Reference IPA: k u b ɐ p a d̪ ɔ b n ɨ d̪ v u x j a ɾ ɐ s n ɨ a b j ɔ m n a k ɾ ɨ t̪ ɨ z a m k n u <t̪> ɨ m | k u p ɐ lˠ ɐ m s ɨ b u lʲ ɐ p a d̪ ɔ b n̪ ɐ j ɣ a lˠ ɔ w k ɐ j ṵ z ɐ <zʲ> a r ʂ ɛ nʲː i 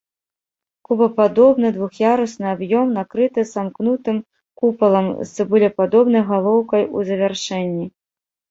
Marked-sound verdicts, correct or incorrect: correct, incorrect

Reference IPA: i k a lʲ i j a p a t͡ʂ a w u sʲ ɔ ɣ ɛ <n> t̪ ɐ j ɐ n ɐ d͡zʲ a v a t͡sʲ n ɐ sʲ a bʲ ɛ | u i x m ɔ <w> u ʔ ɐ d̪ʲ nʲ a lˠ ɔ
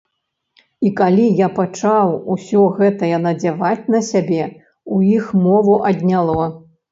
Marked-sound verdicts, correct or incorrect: incorrect, incorrect

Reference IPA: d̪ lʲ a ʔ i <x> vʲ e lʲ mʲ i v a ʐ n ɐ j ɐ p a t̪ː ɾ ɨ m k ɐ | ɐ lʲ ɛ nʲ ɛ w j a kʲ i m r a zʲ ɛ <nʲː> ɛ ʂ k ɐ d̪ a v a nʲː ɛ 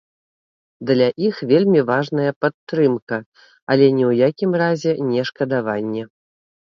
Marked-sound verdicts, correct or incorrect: correct, incorrect

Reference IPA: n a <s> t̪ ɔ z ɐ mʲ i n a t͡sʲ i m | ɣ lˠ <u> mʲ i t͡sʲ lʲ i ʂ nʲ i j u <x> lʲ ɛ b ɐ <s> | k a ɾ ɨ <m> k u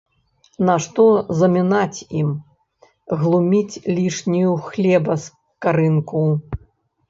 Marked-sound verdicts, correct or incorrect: incorrect, correct, correct, correct, incorrect

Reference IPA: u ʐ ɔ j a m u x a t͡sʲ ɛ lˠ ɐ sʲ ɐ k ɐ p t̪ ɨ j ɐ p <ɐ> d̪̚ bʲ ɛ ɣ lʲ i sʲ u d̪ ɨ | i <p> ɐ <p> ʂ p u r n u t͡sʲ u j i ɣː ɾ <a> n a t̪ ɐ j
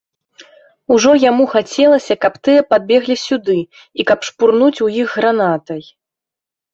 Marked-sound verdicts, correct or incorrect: incorrect, incorrect, correct, correct

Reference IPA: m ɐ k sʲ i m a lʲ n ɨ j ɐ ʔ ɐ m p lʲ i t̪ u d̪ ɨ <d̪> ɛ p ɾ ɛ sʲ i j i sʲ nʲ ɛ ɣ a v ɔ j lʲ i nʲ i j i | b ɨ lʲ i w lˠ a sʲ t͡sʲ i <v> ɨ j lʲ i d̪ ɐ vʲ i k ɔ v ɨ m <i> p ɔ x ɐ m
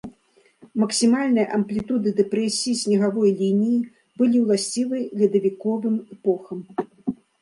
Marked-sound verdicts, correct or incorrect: correct, correct, incorrect

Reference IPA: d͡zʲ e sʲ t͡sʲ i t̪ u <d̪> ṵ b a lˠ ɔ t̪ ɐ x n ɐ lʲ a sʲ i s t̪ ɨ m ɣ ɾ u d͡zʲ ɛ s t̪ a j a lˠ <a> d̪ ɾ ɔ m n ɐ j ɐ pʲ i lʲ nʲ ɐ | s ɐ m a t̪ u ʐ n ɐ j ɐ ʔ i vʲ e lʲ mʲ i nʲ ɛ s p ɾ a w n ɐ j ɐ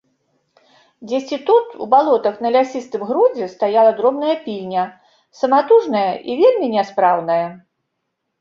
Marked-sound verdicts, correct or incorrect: incorrect, incorrect

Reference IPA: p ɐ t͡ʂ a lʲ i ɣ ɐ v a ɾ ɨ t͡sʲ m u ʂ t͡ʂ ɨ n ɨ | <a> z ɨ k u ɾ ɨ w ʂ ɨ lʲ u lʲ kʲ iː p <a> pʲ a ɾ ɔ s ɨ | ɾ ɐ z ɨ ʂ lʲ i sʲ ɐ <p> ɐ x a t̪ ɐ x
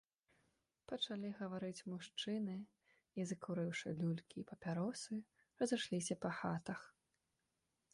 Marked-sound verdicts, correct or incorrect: incorrect, incorrect, correct

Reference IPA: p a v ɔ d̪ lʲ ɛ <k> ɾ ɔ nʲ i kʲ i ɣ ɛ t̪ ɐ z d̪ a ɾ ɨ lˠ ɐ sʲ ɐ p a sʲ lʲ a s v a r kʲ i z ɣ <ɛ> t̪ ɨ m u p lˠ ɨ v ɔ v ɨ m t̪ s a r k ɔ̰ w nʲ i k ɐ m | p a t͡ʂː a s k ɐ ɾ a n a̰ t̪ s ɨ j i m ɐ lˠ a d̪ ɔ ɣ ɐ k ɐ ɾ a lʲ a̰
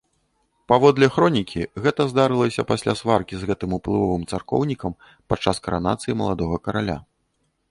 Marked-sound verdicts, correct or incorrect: incorrect, correct

